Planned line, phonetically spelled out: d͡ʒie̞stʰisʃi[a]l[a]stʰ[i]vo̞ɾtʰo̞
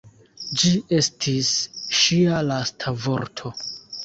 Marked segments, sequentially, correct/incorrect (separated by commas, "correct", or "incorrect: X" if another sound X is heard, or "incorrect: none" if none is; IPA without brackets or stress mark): correct, correct, incorrect: a